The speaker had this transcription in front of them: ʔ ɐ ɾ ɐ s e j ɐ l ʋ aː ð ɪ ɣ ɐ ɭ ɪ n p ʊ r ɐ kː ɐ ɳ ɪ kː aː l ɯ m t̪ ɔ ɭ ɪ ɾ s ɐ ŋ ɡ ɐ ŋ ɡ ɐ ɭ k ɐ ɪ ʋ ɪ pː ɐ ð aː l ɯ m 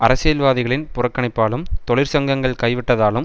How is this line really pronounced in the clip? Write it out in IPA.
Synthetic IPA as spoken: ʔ ɐ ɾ ɐ s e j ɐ l ʋ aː ð ɪ ɣ ɐ ɭ ɪ n p ʊ r ɐ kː ɐ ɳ ɪ pː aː l ɯ m t̪ ɔ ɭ ɪ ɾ s ɐ ŋ ɡ ɐ ŋ ɡ ɐ ɭ k ɐ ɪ ʋ ɪ ʈː ɐ ð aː l ɯ m